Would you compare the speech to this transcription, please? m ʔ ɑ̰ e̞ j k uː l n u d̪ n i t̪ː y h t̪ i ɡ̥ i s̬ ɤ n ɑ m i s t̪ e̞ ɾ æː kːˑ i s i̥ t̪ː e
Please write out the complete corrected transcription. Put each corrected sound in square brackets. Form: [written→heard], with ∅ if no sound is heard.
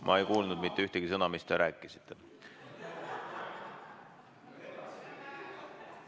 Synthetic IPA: m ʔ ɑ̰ e̞ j k uː l n u d̪ [n→m] i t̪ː y h t̪ [i→e] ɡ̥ i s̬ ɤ n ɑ m i s t̪ e̞ ɾ æː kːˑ i s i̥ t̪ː e